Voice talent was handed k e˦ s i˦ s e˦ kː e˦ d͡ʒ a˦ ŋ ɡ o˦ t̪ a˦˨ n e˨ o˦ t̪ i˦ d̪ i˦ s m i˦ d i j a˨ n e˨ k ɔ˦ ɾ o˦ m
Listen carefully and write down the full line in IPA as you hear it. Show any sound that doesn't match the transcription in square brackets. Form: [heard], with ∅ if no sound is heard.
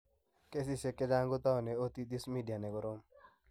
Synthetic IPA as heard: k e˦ s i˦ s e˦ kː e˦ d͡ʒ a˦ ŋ ɡ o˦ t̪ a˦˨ n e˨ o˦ t̪ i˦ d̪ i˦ s m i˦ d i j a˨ n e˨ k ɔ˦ ɾ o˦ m